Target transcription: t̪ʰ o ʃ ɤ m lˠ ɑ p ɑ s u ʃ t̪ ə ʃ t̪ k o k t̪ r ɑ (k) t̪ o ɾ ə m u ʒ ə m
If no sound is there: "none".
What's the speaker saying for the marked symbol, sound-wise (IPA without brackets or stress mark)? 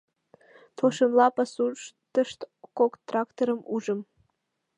k